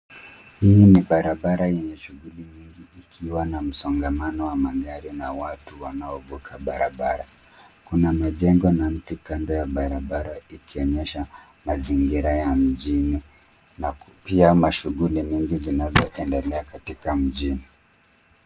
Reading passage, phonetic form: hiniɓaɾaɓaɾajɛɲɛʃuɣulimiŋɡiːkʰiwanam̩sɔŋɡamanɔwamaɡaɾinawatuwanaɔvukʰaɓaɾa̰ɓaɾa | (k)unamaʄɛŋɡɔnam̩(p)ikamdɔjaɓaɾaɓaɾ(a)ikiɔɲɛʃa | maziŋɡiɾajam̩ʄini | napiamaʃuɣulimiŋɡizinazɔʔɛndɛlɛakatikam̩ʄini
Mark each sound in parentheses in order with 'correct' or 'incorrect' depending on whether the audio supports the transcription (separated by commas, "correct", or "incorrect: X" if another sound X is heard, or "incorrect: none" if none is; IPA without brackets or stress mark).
correct, incorrect: t, correct